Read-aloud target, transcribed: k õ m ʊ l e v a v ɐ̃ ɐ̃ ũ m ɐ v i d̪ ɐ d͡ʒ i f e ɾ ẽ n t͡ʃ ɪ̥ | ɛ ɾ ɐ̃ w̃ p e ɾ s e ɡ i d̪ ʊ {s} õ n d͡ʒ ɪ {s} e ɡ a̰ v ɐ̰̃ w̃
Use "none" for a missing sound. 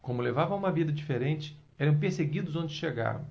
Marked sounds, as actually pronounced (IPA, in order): z, ʃ

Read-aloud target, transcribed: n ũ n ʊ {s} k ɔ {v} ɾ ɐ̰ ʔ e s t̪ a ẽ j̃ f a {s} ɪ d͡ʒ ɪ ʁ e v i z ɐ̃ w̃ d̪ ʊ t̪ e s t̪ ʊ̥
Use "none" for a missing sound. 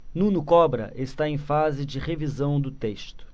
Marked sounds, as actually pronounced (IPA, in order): none, b, z

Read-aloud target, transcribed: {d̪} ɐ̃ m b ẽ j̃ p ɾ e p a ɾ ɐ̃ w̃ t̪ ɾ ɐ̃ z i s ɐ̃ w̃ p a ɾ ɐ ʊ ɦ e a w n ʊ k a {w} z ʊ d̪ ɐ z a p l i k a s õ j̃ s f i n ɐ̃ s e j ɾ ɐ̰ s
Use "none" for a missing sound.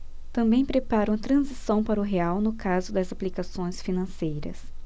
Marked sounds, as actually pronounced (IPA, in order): t̪, none

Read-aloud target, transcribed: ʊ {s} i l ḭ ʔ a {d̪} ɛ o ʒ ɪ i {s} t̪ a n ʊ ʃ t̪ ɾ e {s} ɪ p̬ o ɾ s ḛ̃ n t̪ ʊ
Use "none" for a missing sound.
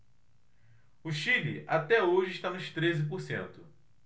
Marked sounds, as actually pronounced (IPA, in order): ʃ, t̪, ʃ, z

